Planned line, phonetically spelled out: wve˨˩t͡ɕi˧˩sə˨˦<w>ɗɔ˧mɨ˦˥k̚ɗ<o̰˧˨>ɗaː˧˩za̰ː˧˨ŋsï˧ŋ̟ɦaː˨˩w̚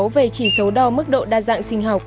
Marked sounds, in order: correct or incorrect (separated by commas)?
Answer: correct, correct